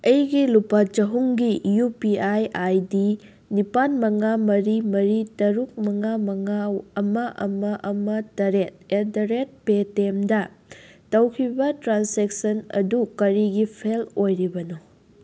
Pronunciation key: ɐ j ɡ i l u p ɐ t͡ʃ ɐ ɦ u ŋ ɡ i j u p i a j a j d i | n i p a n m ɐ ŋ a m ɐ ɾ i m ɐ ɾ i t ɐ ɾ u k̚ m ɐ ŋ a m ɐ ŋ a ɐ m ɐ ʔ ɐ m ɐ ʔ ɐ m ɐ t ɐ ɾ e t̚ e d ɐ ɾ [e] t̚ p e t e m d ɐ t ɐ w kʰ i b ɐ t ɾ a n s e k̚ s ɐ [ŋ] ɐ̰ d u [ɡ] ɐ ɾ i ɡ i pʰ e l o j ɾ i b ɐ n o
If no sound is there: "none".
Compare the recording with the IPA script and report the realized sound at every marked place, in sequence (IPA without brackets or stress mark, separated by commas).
e, n, k